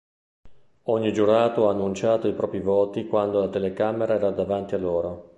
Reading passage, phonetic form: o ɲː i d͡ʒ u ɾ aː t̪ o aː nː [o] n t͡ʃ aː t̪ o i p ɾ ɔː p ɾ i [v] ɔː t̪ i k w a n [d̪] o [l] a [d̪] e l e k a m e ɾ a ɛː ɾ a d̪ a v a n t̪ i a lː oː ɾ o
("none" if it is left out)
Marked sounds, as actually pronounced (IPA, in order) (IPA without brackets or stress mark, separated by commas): u, v, d̪, l, t̪